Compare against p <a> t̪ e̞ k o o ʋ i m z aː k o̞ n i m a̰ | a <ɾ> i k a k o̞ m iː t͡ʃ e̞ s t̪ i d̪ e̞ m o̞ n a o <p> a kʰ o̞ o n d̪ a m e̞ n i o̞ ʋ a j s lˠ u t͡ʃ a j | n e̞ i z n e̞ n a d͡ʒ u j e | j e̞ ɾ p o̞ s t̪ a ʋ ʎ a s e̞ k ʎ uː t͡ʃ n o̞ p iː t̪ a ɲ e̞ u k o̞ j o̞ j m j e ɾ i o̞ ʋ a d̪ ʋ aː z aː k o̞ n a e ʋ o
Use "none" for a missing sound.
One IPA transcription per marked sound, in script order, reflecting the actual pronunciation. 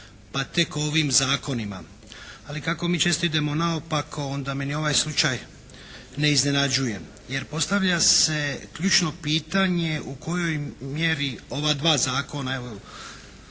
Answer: a, l, p

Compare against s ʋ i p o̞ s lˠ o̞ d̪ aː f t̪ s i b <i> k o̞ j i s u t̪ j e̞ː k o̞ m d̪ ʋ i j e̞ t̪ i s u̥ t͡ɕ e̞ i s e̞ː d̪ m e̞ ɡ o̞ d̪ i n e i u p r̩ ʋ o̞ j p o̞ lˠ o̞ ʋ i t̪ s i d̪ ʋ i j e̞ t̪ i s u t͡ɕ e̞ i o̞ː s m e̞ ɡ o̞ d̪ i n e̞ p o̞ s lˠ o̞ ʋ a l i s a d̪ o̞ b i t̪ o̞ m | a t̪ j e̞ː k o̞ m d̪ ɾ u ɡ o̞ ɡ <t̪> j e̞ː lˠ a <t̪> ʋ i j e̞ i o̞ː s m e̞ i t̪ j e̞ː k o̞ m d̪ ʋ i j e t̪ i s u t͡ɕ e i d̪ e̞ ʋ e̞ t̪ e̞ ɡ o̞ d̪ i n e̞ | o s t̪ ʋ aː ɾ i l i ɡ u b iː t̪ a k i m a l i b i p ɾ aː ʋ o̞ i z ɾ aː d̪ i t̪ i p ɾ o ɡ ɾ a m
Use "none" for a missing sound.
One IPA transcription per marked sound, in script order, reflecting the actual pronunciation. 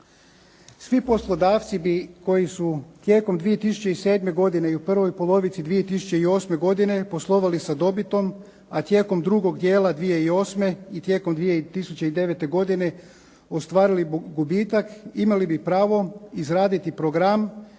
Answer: i, d̪, d̪

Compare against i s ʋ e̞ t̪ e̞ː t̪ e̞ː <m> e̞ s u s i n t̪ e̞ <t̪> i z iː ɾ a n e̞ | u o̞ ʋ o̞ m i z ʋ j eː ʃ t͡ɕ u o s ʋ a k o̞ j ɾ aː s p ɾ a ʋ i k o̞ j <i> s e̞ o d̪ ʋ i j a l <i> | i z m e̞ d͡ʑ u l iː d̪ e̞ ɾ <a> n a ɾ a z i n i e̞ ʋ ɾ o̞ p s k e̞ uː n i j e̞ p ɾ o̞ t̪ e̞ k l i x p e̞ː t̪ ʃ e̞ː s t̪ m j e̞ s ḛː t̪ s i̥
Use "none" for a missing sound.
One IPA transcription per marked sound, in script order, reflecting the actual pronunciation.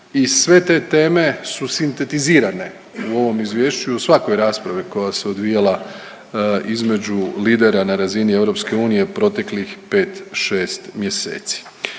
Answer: m, t̪, a, a, a

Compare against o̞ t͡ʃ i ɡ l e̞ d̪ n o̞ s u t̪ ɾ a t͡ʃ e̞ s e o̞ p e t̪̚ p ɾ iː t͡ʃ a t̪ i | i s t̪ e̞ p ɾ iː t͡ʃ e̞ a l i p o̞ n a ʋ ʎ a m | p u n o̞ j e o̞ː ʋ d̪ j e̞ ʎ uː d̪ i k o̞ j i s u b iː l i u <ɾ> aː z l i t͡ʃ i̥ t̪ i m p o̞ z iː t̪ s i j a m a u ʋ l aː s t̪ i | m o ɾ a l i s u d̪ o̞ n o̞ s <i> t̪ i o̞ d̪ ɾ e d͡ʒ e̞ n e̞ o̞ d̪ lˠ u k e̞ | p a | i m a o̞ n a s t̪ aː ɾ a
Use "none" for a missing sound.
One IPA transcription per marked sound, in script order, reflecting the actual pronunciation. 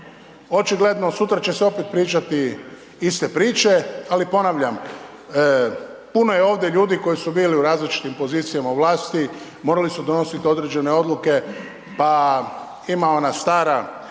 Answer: ɾ, i

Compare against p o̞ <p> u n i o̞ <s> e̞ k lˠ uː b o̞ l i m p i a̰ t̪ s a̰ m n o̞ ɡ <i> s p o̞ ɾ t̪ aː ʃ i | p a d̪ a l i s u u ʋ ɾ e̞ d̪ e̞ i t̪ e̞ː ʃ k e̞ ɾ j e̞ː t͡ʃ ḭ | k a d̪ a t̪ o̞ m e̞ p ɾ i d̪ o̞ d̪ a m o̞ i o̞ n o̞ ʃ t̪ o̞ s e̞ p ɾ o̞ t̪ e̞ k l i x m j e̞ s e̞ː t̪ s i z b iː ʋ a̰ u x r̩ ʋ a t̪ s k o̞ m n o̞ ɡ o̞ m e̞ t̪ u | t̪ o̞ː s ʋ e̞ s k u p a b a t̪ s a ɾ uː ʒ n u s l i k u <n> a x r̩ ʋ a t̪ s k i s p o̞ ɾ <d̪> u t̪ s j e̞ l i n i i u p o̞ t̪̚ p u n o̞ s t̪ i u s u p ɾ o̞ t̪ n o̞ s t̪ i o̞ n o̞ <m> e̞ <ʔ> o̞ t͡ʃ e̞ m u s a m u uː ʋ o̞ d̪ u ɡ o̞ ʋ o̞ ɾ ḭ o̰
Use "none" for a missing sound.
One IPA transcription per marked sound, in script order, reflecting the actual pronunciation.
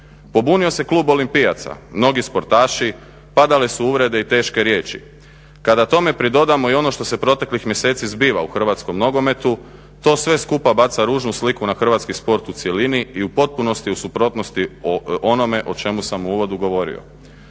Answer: b, s, i, n, t̪, m, ʔ

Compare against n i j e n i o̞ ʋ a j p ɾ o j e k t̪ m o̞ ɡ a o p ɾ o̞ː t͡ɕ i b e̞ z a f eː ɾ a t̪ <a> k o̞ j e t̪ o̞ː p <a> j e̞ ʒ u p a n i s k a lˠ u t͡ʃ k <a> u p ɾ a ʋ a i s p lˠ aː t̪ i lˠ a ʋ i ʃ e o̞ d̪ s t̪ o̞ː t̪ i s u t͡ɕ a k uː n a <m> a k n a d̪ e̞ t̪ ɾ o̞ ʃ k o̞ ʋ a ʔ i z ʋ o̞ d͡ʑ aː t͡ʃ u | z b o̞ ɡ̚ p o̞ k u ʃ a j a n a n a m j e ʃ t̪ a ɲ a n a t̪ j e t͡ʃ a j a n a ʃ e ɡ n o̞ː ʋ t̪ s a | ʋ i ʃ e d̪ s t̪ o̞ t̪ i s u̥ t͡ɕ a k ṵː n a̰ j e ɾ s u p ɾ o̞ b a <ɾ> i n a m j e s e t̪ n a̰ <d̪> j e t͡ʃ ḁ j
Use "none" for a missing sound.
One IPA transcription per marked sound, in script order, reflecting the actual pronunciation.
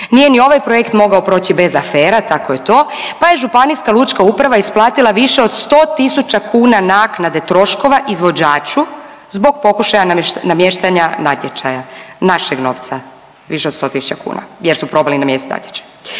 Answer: a, a, a, n, l, t̪

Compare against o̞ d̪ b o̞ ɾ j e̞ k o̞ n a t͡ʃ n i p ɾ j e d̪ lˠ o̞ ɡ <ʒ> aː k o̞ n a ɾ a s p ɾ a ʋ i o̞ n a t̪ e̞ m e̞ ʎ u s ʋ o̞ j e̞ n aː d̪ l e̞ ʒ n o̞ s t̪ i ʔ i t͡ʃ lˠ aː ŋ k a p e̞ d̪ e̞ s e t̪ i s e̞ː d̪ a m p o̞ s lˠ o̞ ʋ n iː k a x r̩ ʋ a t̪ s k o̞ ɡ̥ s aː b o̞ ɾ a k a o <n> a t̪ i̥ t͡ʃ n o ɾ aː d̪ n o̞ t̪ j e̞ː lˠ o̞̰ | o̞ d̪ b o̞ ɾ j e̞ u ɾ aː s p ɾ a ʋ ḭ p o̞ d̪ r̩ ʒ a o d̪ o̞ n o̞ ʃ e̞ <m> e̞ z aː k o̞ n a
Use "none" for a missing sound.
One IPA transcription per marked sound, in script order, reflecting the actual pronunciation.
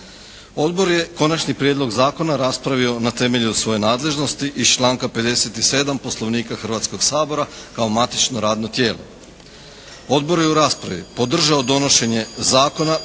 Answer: z, m, ɲ

